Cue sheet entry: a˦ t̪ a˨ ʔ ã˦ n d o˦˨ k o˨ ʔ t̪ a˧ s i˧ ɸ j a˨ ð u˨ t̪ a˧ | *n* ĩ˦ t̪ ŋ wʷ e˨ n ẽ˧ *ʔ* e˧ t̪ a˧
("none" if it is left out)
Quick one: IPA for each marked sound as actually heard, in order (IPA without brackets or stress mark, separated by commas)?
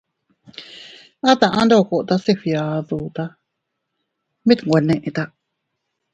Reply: m, ʔ